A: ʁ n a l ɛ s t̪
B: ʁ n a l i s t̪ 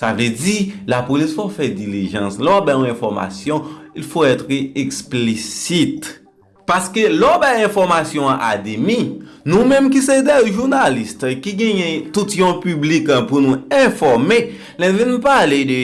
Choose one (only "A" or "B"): B